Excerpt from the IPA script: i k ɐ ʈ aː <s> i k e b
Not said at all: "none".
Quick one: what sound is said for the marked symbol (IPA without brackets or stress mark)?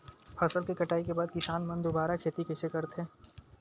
none